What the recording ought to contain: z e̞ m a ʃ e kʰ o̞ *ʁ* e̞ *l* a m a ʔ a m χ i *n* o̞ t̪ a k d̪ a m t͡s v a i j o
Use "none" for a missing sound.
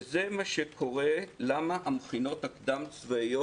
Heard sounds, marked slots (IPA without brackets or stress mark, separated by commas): ʁ, l, n